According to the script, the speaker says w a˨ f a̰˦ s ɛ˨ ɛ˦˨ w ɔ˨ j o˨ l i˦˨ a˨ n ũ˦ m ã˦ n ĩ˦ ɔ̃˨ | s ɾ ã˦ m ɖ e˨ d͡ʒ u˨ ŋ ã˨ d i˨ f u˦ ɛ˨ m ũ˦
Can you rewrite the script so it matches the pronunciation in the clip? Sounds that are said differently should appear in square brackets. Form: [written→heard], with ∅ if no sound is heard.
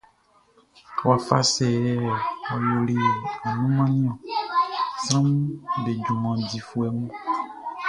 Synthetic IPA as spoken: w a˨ f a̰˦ s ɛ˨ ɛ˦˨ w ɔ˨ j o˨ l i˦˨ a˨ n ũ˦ m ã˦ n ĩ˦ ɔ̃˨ | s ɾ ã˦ m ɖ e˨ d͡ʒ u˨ [ŋ→m] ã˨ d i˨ f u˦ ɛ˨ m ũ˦